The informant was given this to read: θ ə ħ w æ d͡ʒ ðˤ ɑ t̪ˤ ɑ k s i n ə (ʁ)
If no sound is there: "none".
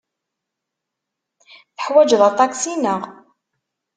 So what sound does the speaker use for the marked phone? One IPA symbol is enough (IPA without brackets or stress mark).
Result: ʁ